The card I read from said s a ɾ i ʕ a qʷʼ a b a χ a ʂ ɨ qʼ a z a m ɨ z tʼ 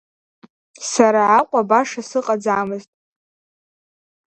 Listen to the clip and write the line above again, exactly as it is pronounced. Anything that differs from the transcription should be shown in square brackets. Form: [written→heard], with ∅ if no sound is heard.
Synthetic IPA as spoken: s a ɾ [i→a] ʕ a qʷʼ a b a [χ→ʂ] a [ʂ→s] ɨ qʼ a [z→d͡z] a m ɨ z tʼ